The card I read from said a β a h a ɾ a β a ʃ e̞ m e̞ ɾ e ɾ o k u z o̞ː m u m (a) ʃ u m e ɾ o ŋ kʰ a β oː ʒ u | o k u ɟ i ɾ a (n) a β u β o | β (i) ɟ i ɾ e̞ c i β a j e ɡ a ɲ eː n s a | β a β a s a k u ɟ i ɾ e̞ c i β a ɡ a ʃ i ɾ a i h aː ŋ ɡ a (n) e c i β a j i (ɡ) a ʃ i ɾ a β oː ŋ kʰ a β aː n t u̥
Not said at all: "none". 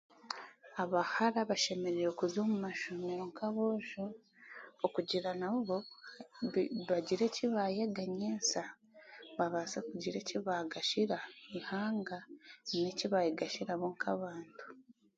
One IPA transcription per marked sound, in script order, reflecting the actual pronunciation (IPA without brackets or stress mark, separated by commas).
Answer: a, n, a, n, ɡ